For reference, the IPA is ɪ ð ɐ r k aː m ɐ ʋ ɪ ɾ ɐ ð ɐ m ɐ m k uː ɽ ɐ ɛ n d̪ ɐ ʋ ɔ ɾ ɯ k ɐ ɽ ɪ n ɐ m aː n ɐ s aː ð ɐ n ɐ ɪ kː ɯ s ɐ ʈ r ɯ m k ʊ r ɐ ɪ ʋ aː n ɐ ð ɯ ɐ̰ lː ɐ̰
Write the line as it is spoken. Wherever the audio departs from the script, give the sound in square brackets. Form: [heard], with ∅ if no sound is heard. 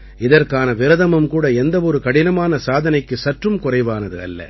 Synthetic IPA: ɪ ð ɐ r k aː [n] ɐ ʋ ɪ ɾ ɐ ð ɐ m ɐ m k uː ɽ ɐ ɛ n d̪ ɐ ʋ ɔ ɾ ɯ k ɐ ɽ ɪ n ɐ m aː n ɐ s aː ð ɐ n ɐ ɪ kː ɯ s ɐ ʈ r ɯ m k ʊ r ɐ ɪ ʋ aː n ɐ ð ɯ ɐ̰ lː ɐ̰